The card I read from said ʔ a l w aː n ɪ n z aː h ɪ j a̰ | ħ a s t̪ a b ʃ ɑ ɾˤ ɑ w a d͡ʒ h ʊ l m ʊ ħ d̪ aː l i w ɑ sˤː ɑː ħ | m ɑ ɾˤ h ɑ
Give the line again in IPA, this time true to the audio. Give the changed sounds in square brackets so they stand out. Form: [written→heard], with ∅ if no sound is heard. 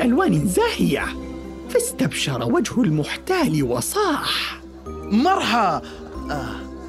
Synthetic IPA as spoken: ʔ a l w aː n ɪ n z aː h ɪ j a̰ | [ħ→f] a s t̪ a b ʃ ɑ ɾˤ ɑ w a d͡ʒ h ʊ l m ʊ ħ [d̪→t̪] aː l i w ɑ [sˤː→sˤ] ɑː ħ | m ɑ ɾˤ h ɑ